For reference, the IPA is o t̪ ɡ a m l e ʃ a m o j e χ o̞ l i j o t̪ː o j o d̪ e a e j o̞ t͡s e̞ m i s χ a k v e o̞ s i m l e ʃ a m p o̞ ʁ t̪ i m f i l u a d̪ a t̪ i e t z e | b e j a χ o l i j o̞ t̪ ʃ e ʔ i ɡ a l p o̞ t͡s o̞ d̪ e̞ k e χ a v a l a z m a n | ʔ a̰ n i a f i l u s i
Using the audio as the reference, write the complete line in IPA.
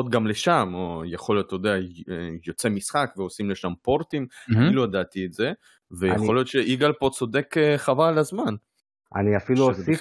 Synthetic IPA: o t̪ ɡ a m l e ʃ a m o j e χ o̞ l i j o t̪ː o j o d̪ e a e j o̞ t͡s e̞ m i s χ a k v e o̞ s i m l e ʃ a m p o̞ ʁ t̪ i m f i l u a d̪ a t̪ i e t z e | v e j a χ o l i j o̞ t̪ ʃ e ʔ i ɡ a l p o̞ t͡s o̞ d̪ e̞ k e χ a v a l a z m a n | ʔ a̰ n i a f i l u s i